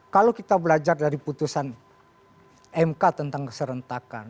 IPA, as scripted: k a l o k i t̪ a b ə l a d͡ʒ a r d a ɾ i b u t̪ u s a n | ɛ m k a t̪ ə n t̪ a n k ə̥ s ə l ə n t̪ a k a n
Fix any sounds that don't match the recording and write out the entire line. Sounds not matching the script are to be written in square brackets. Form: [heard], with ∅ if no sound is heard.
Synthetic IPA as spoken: k a l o k i t̪ a b ə l a d͡ʒ a r d a ɾ i [p] u t̪ u s a n | ɛ m k a t̪ ə n t̪ a [ŋ] k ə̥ s ə [ɾ] ə n t̪ a k a n